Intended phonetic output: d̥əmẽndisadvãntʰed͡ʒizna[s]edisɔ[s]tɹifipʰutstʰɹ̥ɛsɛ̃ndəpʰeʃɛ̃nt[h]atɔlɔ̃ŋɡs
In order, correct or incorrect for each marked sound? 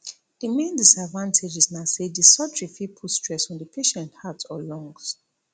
correct, incorrect: none, correct

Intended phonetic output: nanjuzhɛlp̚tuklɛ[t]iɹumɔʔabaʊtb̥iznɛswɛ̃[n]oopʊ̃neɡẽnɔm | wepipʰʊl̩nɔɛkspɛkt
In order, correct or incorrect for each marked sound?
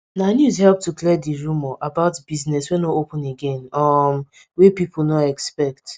incorrect: d, correct

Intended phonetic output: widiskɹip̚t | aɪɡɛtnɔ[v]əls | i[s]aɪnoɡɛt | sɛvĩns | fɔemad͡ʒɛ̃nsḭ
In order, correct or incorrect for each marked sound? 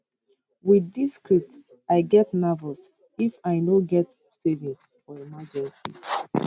correct, incorrect: f

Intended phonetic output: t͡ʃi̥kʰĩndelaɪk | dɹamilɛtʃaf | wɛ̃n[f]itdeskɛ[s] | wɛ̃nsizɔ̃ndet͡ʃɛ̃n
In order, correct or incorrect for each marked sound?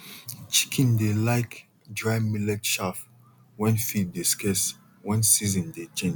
correct, correct

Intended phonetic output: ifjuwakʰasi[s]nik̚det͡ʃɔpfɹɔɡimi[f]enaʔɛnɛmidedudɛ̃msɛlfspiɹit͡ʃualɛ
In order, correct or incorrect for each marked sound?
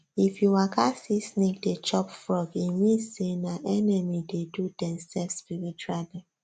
correct, incorrect: s

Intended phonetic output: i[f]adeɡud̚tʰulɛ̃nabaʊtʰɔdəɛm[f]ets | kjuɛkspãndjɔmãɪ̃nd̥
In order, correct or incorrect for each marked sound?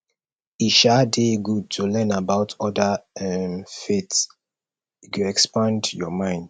incorrect: ʃ, correct

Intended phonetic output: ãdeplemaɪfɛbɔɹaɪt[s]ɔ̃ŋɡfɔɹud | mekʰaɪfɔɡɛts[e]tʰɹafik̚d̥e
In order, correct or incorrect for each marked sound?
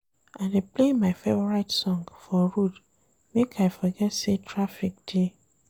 correct, correct

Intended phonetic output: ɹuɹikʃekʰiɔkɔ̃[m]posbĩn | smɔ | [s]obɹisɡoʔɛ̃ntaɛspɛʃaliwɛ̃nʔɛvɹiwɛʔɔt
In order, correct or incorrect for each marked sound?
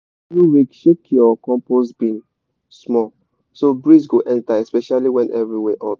correct, correct

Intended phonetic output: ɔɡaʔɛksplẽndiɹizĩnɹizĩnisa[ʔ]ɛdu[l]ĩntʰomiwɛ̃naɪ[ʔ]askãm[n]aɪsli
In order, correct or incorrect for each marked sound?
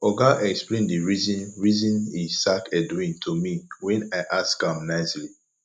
incorrect: k, incorrect: none, correct, correct

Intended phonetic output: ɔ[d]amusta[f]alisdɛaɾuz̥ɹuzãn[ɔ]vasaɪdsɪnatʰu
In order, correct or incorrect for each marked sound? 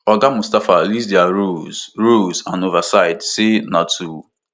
incorrect: ɡ, correct, incorrect: o

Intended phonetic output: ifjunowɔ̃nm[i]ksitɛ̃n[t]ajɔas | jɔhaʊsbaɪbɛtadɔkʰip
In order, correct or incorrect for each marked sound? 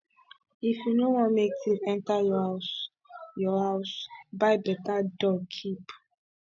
incorrect: e, correct

